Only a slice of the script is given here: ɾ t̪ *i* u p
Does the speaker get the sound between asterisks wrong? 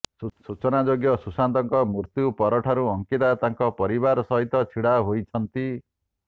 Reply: yes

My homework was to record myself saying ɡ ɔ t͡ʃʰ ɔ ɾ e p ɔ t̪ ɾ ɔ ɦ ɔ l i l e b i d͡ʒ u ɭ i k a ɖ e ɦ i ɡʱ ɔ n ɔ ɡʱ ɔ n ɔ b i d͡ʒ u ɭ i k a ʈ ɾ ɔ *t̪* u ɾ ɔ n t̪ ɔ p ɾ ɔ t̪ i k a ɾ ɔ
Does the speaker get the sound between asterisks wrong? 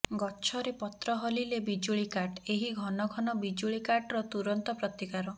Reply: no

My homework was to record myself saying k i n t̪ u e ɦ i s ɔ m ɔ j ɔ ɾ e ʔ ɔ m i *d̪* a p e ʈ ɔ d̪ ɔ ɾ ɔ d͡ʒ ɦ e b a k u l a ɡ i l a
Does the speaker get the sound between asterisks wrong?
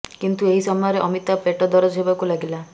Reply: yes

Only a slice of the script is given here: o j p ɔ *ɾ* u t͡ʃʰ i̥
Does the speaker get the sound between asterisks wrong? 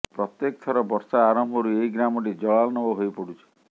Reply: yes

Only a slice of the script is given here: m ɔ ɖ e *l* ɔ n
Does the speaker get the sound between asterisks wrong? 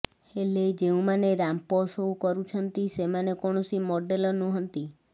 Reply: no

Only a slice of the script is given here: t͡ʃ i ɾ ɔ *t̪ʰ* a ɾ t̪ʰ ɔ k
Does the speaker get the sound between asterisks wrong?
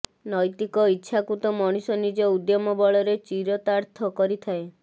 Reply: yes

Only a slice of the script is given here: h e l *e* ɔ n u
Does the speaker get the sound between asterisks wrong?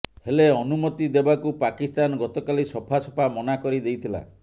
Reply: no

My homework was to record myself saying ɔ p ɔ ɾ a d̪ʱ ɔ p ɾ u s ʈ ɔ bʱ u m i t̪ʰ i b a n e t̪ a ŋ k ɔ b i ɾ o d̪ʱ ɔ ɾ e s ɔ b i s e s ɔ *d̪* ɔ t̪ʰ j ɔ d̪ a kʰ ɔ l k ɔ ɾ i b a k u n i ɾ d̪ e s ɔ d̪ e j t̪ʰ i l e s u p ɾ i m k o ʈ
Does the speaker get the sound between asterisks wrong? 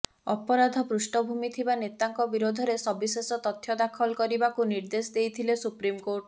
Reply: yes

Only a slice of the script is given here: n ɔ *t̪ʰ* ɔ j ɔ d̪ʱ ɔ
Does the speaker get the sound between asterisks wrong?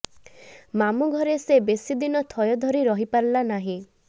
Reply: no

